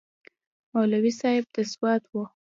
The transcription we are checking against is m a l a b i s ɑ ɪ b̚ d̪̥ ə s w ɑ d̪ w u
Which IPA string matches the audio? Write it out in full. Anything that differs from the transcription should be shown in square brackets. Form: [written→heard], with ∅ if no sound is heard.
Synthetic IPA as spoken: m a l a [b→w] i s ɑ ɪ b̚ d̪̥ ə s w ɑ [d̪→t̪] w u